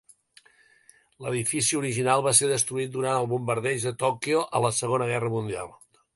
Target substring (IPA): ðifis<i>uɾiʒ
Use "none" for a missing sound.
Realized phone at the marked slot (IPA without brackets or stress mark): i